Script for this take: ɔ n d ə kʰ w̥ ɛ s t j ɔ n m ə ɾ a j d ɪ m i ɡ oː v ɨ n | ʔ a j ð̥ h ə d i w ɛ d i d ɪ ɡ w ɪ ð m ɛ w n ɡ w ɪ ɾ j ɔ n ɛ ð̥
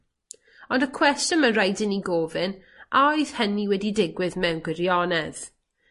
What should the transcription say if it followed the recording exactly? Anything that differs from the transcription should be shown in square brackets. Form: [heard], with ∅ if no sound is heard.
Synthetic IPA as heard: ɔ n d ə kʰ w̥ ɛ s t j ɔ n m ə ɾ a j d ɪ [n] i ɡ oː v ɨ n | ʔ a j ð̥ h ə [n] i w ɛ d i d ɪ ɡ w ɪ ð m ɛ w n ɡ w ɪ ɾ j ɔ n ɛ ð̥